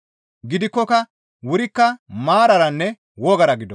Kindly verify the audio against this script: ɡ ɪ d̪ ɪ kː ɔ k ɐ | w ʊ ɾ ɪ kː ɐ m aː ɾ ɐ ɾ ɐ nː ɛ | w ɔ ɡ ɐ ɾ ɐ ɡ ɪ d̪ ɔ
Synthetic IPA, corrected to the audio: ɡ ɪ d̪ ɪ kː ɔ k ɐ | w ʊ ɾ ɪ kː ɐ m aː ɾ ɐ ɾ ɐ nː ɛ | w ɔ ɡ ɐ ɾ ɐ ɡ ɪ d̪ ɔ